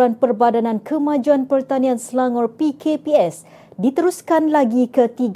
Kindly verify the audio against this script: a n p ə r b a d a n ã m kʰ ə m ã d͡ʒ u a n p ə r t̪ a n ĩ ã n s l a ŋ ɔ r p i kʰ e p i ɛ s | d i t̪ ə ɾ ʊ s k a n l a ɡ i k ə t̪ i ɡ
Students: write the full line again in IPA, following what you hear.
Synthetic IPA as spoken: a n p ə r b a d a n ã n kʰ ə m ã d͡ʒ u a n p ə r t̪ a n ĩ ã n s l a ŋ ɔ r p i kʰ e p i ɛ s | d i t̪ ə ɾ u s k a n l a ɡ i k ə t̪ i ɡ